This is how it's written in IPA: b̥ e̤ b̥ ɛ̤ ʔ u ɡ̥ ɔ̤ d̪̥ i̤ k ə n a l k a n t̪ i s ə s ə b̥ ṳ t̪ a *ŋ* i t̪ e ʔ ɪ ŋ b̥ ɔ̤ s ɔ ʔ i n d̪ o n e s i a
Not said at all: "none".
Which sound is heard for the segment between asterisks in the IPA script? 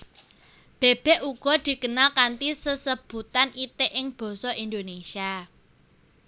n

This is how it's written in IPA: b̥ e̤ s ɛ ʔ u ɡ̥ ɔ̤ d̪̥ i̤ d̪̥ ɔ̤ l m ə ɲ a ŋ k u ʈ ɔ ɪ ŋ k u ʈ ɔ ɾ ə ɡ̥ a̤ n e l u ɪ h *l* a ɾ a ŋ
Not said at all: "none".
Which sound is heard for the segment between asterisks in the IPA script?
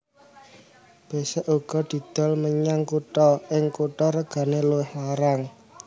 l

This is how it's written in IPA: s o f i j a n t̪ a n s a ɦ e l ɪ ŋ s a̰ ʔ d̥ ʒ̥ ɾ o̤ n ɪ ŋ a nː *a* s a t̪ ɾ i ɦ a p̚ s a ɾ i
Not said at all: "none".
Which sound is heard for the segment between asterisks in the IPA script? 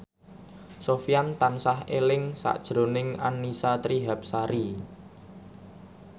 i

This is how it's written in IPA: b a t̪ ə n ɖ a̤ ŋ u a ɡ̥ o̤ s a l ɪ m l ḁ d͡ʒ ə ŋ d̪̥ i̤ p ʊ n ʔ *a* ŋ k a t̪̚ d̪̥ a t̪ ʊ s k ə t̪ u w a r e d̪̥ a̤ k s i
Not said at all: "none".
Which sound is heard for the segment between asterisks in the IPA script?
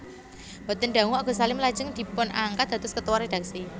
a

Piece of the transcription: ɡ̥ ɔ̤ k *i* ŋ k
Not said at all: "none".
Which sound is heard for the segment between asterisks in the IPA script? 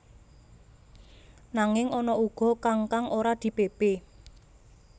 a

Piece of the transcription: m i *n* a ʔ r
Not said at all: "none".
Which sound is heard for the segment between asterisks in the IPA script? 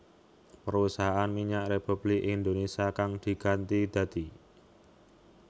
ɲ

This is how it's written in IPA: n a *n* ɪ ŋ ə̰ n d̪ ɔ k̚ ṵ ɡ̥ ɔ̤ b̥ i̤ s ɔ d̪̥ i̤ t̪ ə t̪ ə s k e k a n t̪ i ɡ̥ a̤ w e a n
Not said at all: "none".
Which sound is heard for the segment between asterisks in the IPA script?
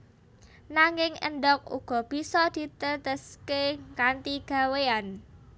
ŋ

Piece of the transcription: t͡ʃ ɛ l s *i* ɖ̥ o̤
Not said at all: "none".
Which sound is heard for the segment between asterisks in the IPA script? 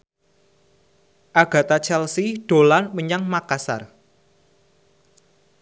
i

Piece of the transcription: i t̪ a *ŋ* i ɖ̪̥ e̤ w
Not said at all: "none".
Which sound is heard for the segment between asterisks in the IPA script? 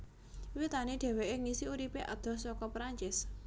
n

